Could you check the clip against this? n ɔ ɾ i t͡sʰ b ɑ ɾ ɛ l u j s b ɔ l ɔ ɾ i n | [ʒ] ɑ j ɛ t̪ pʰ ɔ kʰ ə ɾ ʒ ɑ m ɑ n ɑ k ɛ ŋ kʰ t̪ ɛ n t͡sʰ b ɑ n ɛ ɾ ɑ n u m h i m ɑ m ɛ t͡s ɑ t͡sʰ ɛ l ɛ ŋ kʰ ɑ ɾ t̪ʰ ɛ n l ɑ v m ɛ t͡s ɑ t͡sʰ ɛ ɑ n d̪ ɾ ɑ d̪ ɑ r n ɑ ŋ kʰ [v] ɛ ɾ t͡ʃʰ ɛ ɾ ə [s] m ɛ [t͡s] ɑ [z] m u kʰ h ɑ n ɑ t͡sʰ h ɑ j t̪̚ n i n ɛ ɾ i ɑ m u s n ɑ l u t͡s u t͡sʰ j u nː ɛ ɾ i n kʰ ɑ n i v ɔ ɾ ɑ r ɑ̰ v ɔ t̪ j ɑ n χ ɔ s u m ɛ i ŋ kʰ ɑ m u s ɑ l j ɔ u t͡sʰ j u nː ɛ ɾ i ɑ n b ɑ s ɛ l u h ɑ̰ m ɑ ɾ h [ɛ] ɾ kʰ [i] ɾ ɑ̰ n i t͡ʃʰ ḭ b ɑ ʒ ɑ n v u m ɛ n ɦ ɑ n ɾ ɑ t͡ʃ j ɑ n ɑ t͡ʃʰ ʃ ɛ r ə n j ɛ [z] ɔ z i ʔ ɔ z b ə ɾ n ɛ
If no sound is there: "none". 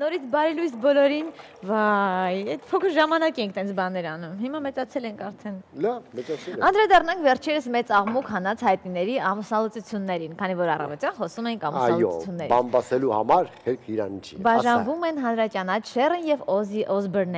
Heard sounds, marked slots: v, v, s, t͡s, ʁ, ɛ, i, v

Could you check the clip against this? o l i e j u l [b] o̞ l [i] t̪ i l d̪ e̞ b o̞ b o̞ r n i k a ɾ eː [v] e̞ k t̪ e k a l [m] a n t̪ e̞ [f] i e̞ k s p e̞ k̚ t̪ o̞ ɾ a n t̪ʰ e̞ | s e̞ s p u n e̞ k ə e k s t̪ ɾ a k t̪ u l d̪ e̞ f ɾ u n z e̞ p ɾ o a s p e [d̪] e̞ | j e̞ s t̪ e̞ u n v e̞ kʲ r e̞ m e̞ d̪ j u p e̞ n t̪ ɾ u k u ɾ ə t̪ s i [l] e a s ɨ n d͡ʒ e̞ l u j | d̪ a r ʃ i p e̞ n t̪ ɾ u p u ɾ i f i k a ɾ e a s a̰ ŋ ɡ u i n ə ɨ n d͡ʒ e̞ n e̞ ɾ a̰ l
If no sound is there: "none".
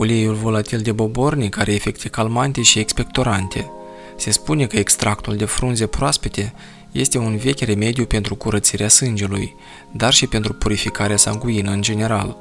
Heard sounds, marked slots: v, a, f, m, ʃ, t̪, ɾ

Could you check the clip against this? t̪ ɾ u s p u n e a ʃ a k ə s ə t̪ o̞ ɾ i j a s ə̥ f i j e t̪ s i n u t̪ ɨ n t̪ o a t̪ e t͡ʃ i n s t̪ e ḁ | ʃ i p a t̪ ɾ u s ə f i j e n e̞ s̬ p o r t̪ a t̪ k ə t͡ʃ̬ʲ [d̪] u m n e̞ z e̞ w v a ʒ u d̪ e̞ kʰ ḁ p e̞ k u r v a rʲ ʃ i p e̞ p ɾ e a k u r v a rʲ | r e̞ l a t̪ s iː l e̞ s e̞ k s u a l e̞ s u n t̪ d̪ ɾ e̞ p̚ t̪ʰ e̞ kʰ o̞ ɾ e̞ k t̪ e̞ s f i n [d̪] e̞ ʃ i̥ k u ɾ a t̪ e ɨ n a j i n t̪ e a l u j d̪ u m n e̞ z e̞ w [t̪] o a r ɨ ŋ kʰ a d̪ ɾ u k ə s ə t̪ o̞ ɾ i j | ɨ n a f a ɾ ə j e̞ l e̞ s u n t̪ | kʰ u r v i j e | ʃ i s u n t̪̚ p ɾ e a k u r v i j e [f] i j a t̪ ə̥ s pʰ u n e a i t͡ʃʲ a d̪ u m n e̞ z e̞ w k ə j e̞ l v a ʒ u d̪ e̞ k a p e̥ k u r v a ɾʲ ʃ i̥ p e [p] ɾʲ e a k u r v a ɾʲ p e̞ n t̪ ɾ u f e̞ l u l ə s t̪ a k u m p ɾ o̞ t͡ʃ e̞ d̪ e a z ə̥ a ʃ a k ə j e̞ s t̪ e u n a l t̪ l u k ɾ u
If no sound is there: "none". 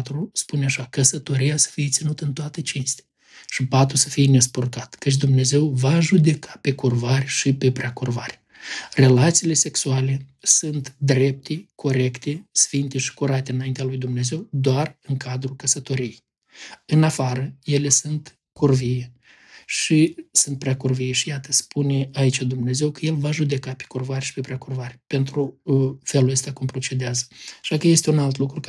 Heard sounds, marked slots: d̪, t̪, d̪, ʃ, p

